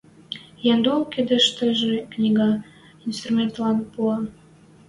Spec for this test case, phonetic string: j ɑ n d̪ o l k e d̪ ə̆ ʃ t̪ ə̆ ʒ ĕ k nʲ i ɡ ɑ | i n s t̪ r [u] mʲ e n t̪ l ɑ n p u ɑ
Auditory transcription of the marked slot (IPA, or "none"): u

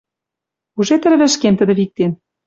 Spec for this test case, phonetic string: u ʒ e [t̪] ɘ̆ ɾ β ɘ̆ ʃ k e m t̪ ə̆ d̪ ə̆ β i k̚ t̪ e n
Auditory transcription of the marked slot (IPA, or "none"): t̪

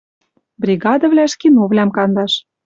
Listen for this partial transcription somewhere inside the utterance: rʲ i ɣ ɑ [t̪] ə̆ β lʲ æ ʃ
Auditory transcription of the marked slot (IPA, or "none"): d̪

